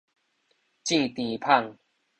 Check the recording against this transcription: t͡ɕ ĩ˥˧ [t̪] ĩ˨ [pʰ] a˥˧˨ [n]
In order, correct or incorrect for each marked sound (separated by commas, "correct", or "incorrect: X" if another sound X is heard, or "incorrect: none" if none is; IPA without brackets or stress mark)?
correct, correct, incorrect: ŋ